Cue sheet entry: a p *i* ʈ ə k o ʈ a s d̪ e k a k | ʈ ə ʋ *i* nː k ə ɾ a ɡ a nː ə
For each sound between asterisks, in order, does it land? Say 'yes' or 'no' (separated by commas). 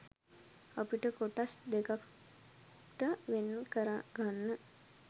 yes, no